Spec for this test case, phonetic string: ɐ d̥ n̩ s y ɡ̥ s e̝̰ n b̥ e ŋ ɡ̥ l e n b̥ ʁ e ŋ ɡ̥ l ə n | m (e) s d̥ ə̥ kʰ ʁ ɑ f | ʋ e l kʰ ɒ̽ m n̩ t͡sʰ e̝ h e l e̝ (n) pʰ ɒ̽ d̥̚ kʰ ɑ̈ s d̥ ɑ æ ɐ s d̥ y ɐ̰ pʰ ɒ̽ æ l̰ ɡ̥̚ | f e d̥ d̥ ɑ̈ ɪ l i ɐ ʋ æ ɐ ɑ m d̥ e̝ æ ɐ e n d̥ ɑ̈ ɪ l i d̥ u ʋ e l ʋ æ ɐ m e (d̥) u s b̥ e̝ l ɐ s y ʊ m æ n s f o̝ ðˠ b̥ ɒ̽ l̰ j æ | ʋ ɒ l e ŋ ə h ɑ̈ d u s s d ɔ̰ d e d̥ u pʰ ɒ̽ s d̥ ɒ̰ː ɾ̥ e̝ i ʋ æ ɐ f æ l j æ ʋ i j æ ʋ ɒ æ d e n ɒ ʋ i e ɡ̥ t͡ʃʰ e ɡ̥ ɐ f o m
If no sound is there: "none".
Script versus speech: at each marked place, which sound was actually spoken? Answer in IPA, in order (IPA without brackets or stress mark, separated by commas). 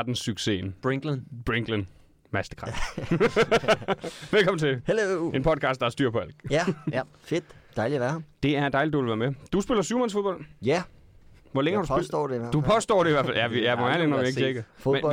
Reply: æ, n, d̥